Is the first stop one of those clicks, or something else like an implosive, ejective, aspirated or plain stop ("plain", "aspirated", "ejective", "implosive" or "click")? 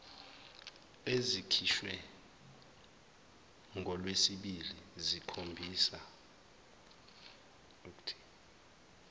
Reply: aspirated